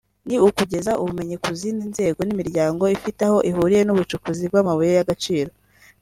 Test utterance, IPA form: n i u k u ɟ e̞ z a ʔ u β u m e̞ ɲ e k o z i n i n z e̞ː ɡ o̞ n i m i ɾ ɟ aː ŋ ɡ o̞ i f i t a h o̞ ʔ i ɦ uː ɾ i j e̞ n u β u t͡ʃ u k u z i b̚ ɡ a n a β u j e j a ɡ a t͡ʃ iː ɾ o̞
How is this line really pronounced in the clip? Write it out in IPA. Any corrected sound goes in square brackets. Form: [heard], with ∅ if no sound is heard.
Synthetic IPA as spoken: n i u k u ɟ e̞ z a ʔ u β u m e̞ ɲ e k [u] z i n i n z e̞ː ɡ o̞ n i m i ɾ ɟ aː ŋ ɡ o̞ i f i t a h o̞ ʔ i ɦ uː ɾ i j e̞ n u β u t͡ʃ u k u z i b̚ ɡ a [m] a β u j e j a ɡ a t͡ʃ iː ɾ o̞